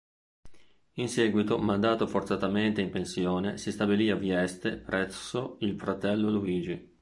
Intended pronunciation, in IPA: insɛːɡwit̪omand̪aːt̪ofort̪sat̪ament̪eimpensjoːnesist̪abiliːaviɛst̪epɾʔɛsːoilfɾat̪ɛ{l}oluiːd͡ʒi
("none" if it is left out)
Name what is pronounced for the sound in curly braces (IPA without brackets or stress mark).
lː